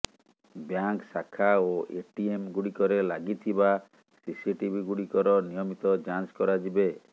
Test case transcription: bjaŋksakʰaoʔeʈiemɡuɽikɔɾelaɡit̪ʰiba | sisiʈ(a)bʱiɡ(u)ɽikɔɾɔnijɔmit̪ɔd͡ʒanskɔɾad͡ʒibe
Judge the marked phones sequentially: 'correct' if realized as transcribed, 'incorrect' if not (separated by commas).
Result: incorrect, correct